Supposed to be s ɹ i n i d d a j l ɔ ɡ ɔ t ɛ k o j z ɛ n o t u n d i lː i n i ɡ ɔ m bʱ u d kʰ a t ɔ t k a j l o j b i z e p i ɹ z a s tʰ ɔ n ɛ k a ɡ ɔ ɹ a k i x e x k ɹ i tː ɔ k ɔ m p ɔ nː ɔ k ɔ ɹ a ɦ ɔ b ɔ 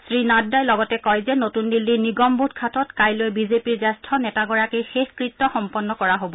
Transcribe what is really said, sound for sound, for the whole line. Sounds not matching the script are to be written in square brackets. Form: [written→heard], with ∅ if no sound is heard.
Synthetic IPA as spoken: s ɹ i n [i→a] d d a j l ɔ ɡ ɔ t ɛ k [o→ɔ] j z ɛ n o t u n d i lː i n i ɡ ɔ m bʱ u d kʰ a t ɔ t k a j l o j b i z e p i ɹ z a s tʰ ɔ n ɛ [k→t] a ɡ ɔ ɹ a k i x e x k ɹ i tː ɔ [k→x] ɔ m p ɔ nː ɔ k ɔ ɹ a ɦ [ɔ→o] b ɔ